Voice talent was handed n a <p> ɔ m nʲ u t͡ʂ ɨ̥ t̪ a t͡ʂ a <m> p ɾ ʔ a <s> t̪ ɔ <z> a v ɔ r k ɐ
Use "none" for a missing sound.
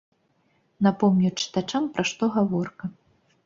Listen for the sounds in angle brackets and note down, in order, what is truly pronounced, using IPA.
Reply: p, m, ʂ, ɣ

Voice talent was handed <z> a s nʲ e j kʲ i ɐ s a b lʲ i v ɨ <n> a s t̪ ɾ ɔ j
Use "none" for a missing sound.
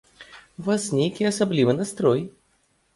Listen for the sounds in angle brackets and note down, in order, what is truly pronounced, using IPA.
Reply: v, n

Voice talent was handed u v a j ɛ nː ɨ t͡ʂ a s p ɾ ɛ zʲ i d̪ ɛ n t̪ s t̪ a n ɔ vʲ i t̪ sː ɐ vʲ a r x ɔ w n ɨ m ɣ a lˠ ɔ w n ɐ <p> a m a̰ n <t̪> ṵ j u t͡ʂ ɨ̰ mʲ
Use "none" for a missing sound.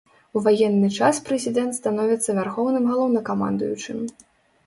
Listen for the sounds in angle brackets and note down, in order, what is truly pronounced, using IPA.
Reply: k, d̪

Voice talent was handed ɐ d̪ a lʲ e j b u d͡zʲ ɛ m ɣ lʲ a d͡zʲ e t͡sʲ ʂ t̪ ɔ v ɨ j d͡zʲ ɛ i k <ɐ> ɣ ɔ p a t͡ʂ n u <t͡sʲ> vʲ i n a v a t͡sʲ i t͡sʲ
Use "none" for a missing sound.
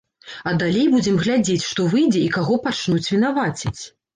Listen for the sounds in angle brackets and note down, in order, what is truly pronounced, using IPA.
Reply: a, t͡sʲ

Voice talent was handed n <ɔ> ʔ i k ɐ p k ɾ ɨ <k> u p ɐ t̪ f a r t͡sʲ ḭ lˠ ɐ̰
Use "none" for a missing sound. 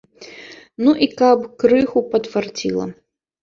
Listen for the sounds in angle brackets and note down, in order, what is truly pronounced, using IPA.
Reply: u, x

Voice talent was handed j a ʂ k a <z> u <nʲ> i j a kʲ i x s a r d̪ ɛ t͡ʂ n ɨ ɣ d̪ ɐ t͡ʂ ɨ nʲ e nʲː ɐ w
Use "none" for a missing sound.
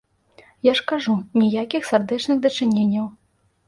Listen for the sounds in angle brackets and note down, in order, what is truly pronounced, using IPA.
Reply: ʐ, nʲ

